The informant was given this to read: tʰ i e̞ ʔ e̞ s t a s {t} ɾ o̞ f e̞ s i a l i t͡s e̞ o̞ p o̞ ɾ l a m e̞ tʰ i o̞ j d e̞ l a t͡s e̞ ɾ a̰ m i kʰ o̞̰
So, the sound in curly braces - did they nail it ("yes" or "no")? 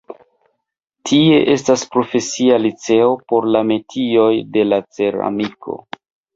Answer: no